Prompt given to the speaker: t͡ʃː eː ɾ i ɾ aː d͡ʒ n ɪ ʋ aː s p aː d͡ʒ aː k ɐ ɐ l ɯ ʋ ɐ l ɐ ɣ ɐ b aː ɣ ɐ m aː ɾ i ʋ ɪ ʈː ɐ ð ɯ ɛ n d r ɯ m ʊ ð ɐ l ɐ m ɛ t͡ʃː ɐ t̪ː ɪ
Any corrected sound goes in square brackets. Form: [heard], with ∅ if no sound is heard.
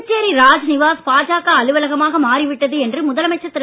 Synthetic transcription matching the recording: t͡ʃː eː ɾ i ɾ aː d͡ʒ n ɪ ʋ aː s p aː d͡ʒ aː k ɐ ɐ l ɯ ʋ ɐ l ɐ ɣ ɐ [m] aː ɣ ɐ m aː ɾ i ʋ ɪ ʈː ɐ ð ɯ ɛ n d r ɯ m ʊ ð ɐ l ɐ m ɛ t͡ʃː ɐ t̪ː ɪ